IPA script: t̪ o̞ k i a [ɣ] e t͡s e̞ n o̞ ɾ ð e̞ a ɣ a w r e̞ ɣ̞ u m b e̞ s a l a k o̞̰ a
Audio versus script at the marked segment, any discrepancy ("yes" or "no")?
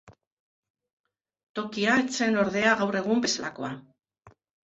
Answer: yes